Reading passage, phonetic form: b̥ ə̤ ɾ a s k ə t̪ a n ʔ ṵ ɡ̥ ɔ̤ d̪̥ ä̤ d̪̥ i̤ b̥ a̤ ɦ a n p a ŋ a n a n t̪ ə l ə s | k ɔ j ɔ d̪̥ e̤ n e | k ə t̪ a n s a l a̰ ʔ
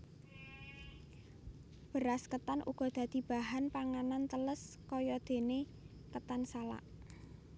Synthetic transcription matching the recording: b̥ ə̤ ɾ a s k ə t̪ a n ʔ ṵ ɡ̥ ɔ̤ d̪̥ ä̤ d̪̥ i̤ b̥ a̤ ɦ a n p a ŋ a n a n t̪ ə l ə s | k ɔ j ɔ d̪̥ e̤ n e | k ə t̪ a n s a l a̰ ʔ

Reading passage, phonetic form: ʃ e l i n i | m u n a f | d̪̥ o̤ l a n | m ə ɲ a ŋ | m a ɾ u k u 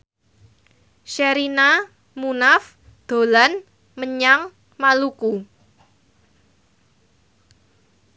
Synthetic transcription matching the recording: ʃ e ɾ i n a | m u n a f | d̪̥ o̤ l a n | m ə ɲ a ŋ | m a l u k u

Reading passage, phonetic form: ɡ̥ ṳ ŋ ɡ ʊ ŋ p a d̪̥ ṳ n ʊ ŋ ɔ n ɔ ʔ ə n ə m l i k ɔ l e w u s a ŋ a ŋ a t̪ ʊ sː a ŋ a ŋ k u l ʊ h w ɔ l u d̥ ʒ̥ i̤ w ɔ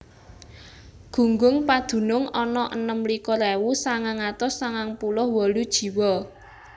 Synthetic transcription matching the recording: ɡ̥ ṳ ŋ ɡ ʊ ŋ p a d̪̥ ṳ n ʊ ŋ ɔ n ɔ ʔ ə n ə m l i k ɔ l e w u s a ŋ a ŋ a t̪ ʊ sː a ŋ a ŋ p u l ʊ h w ɔ l u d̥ ʒ̥ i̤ w ɔ

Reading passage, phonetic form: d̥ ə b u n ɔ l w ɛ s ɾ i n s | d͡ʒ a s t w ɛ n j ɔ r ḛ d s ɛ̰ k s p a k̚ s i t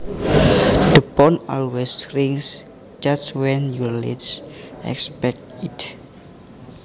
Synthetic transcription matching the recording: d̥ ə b ɔ n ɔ l w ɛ s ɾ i ŋ s | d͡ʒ a s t w ɛ n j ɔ l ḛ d s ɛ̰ k s p ɛ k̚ t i t

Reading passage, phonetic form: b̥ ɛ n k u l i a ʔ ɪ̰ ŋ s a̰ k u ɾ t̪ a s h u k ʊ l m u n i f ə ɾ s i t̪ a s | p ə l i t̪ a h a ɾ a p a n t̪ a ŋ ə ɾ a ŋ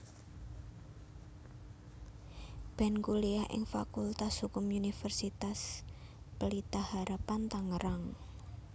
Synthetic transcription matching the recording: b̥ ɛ n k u l i a ʔ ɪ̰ ŋ f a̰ k u l t̪ a s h u k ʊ m u n i f ə r s i t̪ a s | p ə l i t̪ a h a ɾ a p a n t̪ a ŋ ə ɾ a ŋ

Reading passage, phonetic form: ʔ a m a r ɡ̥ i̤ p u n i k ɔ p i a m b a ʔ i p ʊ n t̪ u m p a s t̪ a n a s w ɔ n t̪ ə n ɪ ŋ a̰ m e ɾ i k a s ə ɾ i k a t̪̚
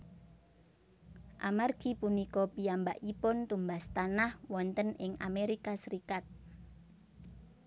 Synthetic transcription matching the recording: ʔ a m a r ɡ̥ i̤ p u n i k ɔ p i a m b a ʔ i p ʊ n t̪ u m b a s t̪ a n a h w ɔ n t̪ ə n ɪ ŋ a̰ m e ɾ i k a s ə ɾ i k a t̪̚

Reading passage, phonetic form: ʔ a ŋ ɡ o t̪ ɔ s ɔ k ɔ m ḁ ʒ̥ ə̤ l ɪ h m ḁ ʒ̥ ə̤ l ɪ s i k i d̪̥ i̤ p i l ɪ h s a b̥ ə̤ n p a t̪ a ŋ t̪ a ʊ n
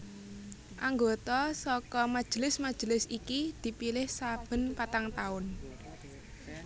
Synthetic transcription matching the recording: ʔ a ŋ ɡ o t̪ ɔ s ɔ k ɔ m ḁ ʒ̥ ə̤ l ɪ s m ḁ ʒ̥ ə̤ l ɪ s i k i d̪̥ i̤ p i l ɪ h s a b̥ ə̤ n p a t̪ a ŋ t̪ a ʊ n

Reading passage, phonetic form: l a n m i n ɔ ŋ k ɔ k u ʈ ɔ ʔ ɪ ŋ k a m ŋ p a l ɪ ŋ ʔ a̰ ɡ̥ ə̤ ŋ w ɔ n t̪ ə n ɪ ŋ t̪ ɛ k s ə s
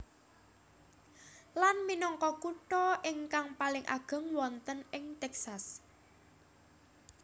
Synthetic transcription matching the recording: l a n m i n ɔ ŋ k ɔ k u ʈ ɔ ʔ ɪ ŋ k a ŋ p a l ɪ ŋ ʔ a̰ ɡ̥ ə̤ ŋ w ɔ n t̪ ə n ɪ ŋ t̪ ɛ k s a s

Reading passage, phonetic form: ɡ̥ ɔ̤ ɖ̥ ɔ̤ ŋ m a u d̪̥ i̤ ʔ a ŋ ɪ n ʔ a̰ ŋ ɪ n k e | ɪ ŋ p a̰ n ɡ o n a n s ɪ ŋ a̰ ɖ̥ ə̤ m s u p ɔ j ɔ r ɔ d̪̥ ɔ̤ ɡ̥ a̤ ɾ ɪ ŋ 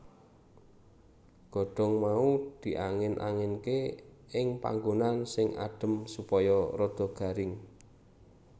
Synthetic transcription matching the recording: ɡ̥ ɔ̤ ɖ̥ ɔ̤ ŋ m a u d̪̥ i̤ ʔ a ŋ ɪ n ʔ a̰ ŋ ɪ n k e | ɪ ŋ p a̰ ŋ ɡ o n a n s ɪ ŋ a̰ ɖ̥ ə̤ m s u p ɔ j ɔ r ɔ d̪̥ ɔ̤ ɡ̥ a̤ ɾ ɪ ŋ

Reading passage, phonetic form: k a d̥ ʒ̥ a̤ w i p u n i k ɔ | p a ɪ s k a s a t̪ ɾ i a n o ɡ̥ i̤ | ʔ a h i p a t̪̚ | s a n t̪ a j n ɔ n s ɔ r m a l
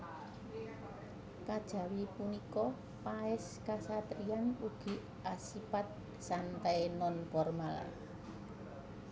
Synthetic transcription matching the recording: k a d̥ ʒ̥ a̤ w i p u n i k ɔ | p a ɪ s k a s a t̪ ɾ i a n u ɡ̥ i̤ | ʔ a s i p a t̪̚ | s a n t̪ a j n ɔ n f ɔ r m a l

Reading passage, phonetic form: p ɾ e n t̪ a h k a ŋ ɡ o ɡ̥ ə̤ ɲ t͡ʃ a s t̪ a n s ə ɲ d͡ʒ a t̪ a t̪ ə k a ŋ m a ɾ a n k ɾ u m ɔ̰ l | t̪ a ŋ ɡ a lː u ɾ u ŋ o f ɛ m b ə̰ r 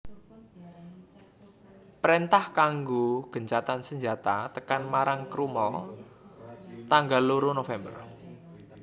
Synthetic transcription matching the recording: p ɾ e n t̪ a h k a ŋ ɡ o ɡ̥ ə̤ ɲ t͡ʃ a t̪ a n s ə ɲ d͡ʒ a t̪ a t̪ ə k a n m a ɾ a ŋ k ɾ u m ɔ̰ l | t̪ a ŋ ɡ a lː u ɾ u n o f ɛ m b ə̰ r

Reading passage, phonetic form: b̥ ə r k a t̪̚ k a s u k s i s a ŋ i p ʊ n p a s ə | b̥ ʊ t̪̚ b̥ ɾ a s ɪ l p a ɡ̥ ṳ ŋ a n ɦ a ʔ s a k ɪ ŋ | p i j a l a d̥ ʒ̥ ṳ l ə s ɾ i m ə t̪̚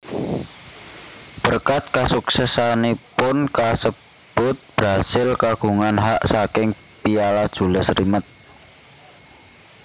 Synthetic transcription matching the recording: b̥ ə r k a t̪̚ k a s u k s ɛ s a n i p ʊ n k a s ə | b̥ ʊ t̪̚ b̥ ɾ a s ɪ l k a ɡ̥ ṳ ŋ a n ɦ a ʔ s a k ɪ ŋ | p i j a l a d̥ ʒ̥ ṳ l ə s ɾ i m ə t̪̚

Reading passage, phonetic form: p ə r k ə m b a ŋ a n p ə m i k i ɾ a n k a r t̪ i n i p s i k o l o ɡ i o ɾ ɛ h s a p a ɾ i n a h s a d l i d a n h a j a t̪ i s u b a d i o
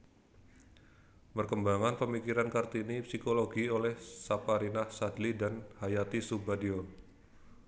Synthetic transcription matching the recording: p ə r k ə m b a ŋ a n p ə m i k i ɾ a n k a r t̪ i n i p s i k o l o ɡ i o l ɛ h s a p a ɾ i n a h s a d l i d a n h a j a t̪ i s u b a d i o

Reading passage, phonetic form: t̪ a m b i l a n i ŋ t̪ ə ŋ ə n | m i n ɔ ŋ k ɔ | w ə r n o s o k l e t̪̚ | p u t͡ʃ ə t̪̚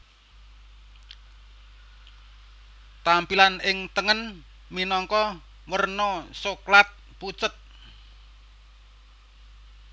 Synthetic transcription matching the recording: t̪ a m p i l a n ɪ ŋ t̪ ə ŋ ə n | m i n ɔ ŋ k ɔ | w ə r n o s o k l a t̪̚ | p u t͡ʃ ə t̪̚

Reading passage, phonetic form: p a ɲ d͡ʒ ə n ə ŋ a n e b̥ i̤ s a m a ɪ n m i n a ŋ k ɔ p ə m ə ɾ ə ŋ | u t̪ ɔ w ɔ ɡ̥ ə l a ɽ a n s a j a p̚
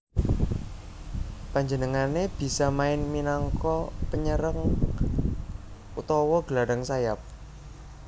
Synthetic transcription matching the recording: p a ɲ d͡ʒ ə n ə ŋ a n e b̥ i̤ s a m a ɪ n m i n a ŋ k ɔ p ə ɲ ə ɾ ə ŋ | u t̪ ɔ w ɔ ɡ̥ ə l a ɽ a ŋ s a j a p̚

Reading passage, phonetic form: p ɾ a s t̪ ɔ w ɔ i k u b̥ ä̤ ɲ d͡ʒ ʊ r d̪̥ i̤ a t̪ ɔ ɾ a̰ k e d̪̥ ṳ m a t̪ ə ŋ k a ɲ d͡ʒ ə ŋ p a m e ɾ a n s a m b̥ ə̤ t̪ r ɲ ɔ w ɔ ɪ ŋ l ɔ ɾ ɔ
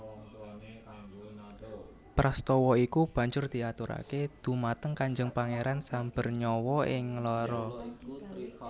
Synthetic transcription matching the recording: p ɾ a s t̪ ɔ w ɔ i k u b̥ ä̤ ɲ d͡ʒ ʊ r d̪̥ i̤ a t̪ u ɾ a̰ k e d̪̥ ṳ m a t̪ ə ŋ k a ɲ d͡ʒ ə ŋ p a ŋ e ɾ a n s a m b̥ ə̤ r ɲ ɔ w ɔ ɪ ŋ l ɔ ɾ ɔ

